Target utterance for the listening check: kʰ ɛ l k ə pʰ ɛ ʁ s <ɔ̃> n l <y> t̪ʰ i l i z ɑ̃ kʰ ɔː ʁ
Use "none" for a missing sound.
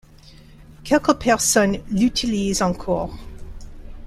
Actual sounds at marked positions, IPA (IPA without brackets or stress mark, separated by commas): ɔ, y